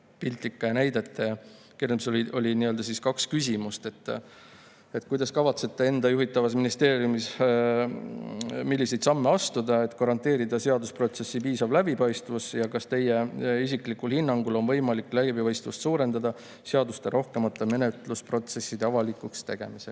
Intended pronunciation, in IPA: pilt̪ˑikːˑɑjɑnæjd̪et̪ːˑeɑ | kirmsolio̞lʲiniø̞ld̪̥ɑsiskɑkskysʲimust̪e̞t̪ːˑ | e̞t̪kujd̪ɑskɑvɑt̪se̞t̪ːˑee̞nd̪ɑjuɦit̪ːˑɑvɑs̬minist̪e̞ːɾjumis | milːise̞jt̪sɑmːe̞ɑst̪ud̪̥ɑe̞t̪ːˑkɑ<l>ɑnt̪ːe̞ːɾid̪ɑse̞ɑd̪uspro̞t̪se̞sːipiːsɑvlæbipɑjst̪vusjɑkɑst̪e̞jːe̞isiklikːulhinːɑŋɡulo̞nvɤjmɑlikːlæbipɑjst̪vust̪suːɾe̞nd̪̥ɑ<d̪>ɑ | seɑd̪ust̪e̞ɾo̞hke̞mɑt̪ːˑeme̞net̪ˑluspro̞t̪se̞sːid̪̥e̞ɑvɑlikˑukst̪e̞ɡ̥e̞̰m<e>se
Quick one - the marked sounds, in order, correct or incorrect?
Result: incorrect, correct, incorrect

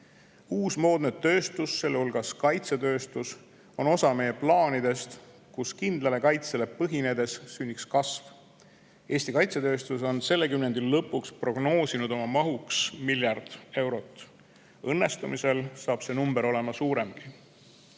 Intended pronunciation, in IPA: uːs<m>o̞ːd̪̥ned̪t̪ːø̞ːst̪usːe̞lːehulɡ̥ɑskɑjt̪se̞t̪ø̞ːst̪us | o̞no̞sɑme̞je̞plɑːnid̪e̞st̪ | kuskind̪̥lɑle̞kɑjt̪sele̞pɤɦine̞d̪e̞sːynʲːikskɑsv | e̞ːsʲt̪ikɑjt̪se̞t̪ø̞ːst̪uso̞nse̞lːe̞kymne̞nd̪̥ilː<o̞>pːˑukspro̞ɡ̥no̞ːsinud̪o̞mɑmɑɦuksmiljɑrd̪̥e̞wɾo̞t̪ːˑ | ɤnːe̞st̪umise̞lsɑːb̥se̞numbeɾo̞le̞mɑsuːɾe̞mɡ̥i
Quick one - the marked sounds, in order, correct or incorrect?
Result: correct, incorrect

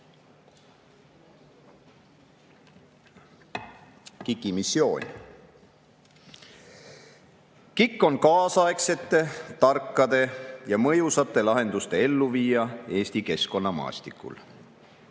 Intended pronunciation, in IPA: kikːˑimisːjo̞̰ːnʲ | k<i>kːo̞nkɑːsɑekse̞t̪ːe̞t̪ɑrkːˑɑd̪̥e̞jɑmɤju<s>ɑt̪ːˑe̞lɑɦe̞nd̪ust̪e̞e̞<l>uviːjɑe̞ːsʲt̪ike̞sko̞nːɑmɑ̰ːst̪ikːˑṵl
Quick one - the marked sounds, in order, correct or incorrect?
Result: correct, correct, incorrect

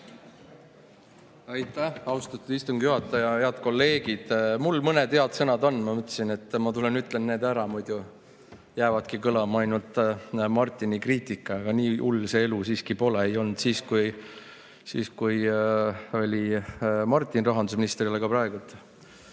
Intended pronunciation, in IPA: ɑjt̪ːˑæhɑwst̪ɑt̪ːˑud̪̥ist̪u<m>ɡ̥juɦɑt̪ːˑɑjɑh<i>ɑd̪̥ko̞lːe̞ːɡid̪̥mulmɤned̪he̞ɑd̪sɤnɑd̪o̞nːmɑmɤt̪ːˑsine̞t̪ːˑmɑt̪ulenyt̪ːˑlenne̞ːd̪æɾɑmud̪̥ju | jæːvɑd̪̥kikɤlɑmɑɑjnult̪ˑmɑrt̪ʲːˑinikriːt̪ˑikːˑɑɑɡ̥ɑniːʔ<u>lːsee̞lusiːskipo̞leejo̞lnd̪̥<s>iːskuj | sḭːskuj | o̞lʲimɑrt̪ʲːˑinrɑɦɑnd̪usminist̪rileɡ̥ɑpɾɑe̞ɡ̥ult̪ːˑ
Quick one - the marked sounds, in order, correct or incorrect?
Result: incorrect, incorrect, correct, correct

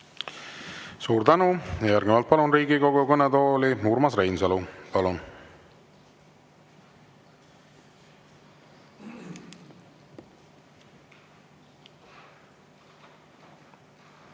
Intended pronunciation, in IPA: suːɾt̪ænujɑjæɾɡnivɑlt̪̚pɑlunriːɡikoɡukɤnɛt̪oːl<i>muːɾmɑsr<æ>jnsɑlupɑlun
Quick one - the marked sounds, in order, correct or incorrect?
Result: correct, incorrect

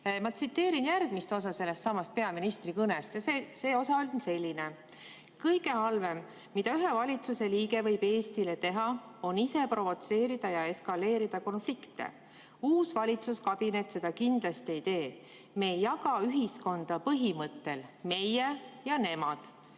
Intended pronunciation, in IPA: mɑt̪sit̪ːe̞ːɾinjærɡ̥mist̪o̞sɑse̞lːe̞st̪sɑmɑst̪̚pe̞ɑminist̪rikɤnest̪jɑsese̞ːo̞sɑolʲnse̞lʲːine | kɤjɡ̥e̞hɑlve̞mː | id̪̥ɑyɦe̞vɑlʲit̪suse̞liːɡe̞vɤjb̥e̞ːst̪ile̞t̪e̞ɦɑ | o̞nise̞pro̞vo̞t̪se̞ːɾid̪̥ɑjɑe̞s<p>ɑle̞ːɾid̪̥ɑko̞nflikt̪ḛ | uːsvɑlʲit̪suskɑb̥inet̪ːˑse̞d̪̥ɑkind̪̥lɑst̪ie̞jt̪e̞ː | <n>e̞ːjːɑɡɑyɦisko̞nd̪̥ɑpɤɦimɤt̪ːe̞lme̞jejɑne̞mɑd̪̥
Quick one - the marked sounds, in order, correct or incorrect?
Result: incorrect, incorrect

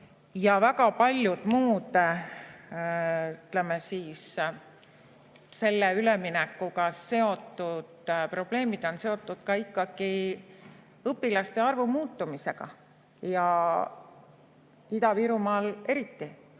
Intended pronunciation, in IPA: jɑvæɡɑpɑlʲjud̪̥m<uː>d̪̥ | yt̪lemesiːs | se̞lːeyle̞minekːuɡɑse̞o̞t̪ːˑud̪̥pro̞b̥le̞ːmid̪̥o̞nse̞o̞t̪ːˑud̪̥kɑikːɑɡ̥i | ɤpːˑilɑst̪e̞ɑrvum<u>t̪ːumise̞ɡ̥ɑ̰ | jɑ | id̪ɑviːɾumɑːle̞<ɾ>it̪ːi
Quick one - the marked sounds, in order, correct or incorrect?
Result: correct, incorrect, correct

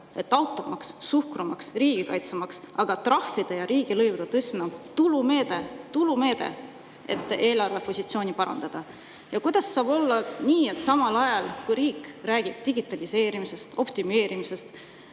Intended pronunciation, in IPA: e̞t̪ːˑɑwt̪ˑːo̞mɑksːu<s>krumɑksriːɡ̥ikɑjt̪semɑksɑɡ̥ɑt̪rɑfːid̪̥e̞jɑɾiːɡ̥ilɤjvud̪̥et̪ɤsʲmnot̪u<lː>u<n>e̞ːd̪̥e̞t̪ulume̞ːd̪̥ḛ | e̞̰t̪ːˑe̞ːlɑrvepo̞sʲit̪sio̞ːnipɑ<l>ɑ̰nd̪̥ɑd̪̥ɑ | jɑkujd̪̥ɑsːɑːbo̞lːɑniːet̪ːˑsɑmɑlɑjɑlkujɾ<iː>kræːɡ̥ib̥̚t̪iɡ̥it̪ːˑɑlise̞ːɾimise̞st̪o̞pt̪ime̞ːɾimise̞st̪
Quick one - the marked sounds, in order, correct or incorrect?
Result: incorrect, incorrect, incorrect, incorrect, correct

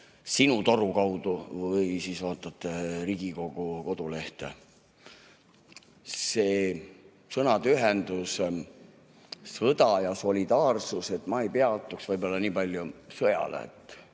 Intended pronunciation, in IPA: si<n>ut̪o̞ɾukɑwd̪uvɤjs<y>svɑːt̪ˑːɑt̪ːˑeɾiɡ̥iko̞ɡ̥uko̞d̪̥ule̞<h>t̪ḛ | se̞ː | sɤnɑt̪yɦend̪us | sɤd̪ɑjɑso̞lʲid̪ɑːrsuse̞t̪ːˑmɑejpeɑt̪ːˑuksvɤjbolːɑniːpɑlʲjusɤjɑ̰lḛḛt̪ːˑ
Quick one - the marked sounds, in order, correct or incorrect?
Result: correct, incorrect, correct

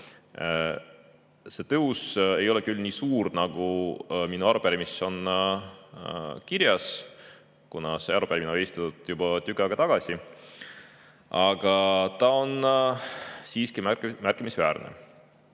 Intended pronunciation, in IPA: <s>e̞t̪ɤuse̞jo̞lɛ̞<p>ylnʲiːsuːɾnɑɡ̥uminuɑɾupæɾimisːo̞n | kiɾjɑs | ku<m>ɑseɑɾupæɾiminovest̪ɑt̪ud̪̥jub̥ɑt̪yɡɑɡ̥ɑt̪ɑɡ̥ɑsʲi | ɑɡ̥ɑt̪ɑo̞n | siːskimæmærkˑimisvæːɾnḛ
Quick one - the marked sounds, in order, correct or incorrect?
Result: correct, incorrect, incorrect

